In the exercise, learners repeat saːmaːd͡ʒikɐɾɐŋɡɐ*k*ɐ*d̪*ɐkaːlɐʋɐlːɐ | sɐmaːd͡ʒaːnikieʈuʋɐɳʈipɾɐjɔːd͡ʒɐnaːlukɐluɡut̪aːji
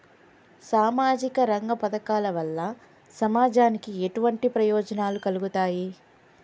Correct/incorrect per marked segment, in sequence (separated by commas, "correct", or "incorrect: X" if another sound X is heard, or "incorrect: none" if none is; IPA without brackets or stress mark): incorrect: p, correct